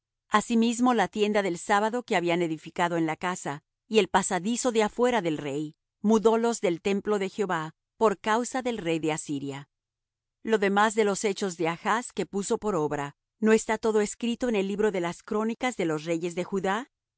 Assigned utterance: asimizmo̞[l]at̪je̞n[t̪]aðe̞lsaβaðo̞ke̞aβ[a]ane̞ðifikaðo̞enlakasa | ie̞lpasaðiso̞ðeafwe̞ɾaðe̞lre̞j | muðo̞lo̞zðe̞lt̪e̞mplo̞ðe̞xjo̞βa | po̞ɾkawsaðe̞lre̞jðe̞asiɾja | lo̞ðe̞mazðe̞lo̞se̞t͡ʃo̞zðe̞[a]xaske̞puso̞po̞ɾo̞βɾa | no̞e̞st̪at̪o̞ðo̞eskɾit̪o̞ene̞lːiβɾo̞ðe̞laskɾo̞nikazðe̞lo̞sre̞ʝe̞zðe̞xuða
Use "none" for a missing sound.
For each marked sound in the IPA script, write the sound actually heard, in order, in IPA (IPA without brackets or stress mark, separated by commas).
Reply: l, d̪, i, a